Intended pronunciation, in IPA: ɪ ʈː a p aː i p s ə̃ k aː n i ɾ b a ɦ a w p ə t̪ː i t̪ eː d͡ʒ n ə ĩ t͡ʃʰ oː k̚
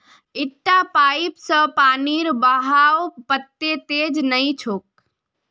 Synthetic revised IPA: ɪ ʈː a p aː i p s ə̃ p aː n i ɾ b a ɦ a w p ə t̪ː e t̪ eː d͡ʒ n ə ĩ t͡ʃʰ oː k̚